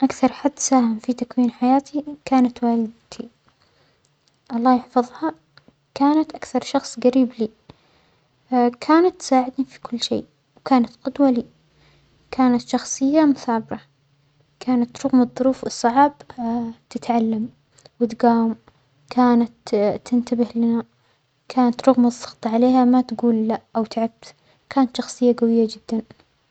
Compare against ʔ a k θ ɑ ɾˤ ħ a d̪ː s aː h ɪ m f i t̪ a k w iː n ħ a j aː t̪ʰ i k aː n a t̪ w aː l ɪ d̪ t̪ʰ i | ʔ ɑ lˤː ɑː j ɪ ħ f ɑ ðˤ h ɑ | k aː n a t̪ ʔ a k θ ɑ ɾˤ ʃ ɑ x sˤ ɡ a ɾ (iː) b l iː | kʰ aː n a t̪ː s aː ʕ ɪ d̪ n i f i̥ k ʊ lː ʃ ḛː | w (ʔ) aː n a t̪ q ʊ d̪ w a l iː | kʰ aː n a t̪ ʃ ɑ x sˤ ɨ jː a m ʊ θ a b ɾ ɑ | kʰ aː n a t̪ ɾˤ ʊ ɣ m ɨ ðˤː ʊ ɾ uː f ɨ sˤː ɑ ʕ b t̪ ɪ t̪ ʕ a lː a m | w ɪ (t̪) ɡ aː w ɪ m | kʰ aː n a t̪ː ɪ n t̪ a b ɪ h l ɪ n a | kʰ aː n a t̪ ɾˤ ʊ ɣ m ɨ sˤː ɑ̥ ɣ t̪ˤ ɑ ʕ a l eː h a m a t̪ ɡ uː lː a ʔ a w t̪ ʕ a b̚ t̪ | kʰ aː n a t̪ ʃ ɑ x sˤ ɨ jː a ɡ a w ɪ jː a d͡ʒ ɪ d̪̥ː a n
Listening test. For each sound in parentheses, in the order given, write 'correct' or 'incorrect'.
correct, incorrect: k, correct

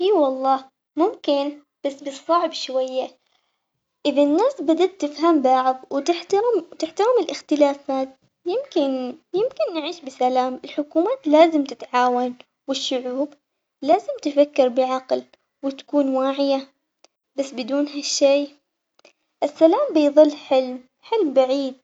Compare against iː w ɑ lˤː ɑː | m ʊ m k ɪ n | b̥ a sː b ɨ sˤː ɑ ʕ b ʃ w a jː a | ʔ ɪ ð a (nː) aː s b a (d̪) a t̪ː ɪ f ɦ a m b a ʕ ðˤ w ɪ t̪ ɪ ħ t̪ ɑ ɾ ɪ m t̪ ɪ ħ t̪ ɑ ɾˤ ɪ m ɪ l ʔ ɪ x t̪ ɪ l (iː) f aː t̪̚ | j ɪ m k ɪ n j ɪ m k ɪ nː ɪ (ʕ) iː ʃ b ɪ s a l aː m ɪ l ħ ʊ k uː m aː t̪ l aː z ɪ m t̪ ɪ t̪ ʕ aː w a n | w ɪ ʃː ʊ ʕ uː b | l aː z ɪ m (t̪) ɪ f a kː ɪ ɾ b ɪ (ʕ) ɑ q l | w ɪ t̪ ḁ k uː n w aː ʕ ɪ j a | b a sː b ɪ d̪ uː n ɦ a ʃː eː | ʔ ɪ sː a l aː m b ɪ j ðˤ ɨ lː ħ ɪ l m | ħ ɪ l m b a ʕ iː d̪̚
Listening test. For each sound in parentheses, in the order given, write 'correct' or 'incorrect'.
correct, correct, incorrect: aː, correct, correct, correct

